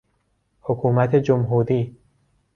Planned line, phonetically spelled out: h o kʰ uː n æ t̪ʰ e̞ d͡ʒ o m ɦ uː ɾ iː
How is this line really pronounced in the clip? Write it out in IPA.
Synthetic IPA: h o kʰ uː m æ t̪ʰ e̞ d͡ʒ o m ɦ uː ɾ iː